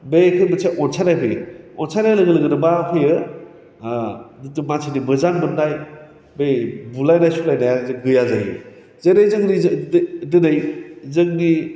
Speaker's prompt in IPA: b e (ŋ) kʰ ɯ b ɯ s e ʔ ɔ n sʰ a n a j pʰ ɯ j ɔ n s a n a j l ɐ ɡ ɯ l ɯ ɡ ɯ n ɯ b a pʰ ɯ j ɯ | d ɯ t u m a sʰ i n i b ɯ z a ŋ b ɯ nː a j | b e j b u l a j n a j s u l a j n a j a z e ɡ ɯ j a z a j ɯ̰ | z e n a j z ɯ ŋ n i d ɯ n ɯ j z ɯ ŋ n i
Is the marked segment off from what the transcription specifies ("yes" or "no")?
yes